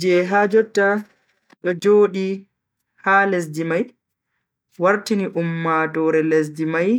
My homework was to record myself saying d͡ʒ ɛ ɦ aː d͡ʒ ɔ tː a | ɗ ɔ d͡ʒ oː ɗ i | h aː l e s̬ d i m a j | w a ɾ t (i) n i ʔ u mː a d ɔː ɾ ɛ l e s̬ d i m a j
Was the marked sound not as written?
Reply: no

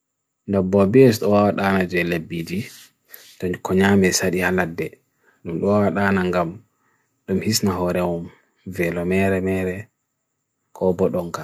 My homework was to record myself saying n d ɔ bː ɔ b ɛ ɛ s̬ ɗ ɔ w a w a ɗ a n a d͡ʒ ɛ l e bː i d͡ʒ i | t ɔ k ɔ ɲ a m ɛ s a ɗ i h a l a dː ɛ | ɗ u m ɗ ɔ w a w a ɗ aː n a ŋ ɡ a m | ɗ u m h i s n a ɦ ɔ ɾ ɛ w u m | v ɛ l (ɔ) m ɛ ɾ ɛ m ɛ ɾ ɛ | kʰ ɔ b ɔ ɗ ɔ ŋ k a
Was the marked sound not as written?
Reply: no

